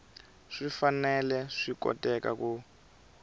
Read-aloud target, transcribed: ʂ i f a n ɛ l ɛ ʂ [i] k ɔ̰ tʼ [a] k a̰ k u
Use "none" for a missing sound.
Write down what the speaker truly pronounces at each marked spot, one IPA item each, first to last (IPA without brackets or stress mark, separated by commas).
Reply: i, ɛ